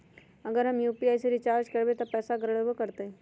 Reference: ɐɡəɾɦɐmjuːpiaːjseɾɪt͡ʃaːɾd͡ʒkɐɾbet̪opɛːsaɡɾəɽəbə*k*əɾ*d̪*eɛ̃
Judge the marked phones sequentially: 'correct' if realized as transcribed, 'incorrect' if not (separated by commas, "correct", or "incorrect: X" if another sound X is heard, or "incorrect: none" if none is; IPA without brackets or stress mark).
correct, incorrect: t̪